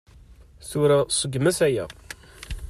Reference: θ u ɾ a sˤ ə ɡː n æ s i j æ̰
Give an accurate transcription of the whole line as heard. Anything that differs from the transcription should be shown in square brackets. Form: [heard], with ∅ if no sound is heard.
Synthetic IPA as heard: θ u ɾ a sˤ ə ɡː [m] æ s [æ] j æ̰